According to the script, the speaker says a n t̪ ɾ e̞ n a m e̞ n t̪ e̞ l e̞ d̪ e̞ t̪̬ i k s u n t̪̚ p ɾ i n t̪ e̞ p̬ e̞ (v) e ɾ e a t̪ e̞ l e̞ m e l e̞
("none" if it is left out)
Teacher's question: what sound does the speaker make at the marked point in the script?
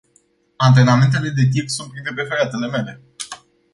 f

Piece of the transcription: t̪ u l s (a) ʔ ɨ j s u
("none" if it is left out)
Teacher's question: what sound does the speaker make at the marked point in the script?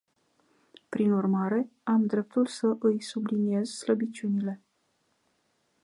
ə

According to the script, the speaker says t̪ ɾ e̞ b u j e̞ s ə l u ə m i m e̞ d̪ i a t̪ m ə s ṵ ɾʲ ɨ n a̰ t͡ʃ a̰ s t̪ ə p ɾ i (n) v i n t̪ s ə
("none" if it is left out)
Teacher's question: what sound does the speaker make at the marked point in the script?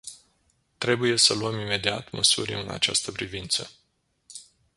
none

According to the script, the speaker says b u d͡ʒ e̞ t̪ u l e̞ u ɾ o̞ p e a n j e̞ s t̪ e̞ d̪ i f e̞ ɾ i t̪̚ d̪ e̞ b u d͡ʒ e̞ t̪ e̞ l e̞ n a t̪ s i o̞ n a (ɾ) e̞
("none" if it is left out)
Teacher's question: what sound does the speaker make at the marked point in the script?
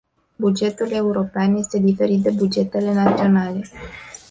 l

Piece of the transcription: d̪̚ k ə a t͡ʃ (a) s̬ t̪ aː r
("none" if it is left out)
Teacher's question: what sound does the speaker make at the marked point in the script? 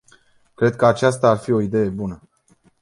a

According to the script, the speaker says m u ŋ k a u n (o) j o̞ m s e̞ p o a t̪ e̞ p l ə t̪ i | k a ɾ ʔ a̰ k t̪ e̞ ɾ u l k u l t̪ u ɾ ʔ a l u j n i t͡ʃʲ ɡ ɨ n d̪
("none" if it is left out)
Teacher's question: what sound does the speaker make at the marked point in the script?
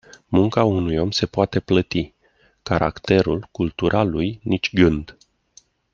u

